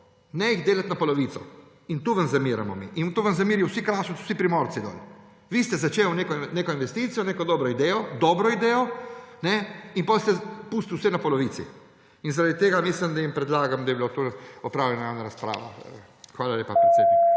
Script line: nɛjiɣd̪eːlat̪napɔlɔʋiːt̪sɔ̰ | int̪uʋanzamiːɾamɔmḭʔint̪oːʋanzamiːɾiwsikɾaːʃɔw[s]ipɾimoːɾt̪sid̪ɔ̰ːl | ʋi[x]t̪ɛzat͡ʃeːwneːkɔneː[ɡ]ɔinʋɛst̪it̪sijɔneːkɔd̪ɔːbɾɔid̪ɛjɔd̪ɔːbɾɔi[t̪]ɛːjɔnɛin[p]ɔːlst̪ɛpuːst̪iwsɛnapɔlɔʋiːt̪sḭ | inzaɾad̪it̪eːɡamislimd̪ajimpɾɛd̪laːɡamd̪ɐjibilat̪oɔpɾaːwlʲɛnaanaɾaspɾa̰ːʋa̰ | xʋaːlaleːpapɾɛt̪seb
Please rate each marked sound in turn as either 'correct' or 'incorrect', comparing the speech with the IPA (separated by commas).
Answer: correct, incorrect, incorrect, incorrect, correct